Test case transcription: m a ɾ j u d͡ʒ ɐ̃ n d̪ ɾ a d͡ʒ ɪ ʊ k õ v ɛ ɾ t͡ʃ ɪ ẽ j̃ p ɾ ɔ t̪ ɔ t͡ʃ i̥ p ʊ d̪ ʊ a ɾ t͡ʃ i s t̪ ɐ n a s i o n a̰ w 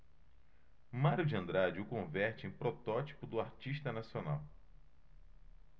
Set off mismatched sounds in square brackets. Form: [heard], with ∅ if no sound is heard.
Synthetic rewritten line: m a ɾ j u d͡ʒ ɐ̃ n d̪ ɾ a d͡ʒ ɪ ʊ k õ v ɛ ɾ t͡ʃ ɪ ẽ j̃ p ɾ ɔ t̪ ɔ t͡ʃ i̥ p ʊ d̪ ʊ a ɾ t͡ʃ i [ʃ] t̪ ɐ n a s i o n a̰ w